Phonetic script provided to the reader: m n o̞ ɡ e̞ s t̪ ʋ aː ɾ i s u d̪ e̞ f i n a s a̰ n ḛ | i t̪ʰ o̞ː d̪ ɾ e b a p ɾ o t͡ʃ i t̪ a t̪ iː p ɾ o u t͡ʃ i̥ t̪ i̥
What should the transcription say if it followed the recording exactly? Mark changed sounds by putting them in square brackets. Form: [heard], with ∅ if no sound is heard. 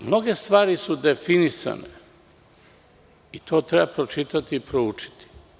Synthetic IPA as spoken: m n o̞ ɡ e̞ s t̪ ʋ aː ɾ i s u d̪ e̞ f i n [i] s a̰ n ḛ | i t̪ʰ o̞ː [t̪] ɾ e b a p ɾ o t͡ʃ i t̪ a t̪ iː p ɾ o u t͡ʃ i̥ t̪ i̥